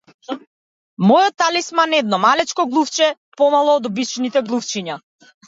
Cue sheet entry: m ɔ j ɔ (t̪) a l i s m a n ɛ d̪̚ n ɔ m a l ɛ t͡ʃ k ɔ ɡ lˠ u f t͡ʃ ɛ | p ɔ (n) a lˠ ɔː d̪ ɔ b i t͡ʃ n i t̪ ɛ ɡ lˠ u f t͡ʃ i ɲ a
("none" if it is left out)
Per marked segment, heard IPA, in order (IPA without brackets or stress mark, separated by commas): t̪, m